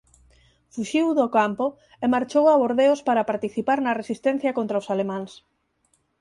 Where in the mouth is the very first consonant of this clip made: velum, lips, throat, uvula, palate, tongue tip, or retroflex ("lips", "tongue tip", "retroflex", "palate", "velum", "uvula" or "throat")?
lips